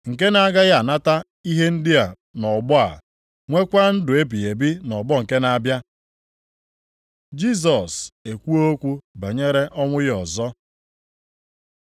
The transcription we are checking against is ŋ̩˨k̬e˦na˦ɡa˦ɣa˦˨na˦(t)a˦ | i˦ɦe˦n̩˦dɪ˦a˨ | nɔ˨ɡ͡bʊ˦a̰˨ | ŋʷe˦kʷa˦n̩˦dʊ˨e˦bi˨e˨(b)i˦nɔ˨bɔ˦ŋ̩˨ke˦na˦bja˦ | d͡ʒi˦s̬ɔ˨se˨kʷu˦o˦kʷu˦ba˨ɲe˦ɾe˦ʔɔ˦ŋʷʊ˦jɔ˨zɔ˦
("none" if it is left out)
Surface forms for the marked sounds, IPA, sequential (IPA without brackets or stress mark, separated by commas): t, b